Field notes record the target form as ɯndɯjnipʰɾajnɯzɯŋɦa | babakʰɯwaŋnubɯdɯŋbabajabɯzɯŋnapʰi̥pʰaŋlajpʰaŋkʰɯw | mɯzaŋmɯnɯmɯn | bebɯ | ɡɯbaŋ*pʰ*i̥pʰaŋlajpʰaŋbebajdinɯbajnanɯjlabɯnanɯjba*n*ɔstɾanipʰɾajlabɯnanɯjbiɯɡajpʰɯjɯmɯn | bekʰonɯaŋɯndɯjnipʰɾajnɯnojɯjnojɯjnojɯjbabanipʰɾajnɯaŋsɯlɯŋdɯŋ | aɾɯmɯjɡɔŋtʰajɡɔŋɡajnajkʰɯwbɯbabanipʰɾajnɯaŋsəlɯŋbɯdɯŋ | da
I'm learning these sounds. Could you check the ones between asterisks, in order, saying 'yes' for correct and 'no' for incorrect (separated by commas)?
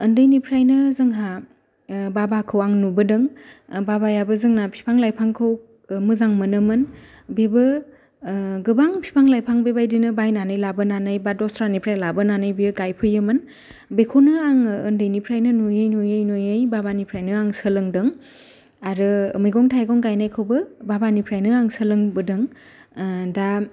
yes, no